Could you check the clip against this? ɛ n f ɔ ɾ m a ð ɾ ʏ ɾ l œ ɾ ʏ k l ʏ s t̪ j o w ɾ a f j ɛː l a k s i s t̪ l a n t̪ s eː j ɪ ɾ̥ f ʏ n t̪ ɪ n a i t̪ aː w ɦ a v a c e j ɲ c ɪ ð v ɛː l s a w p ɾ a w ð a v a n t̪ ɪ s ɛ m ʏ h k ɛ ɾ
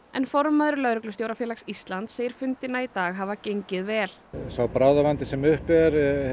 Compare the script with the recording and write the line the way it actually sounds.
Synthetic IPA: ɛ n f ɔ ɾ m a ð ɾ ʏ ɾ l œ ɾ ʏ k l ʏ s t̪ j o w ɾ a f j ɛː l a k s i s t̪ l a n t̪ s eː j ɪ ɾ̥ f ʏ n t̪ ɪ n a i t̪ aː ɣ ɦ a v a c e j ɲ c ɪ ð v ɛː l s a w p ɾ a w ð a v a n t̪ ɪ s ɛ m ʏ h p ɛ ɾ